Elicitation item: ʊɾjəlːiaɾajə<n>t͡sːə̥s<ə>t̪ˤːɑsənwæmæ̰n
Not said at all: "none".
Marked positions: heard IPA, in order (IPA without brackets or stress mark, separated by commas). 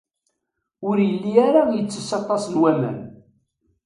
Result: none, ɑ